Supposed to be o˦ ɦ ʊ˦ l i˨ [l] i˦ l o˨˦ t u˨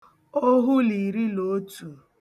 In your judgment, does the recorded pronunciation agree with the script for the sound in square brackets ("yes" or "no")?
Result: no